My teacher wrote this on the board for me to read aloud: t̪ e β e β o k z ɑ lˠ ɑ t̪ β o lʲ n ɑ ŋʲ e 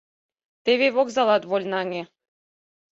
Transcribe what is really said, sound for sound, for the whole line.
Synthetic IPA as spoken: t̪ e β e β o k z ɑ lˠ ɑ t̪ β o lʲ n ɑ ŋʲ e